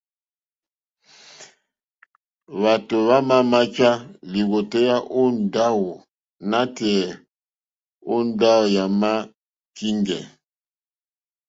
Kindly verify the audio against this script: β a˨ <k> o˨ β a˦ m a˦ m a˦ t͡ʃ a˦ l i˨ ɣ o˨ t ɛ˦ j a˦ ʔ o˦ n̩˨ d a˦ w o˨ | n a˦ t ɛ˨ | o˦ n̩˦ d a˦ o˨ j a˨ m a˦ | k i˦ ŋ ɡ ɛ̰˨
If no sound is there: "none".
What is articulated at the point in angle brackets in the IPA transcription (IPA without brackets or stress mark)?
t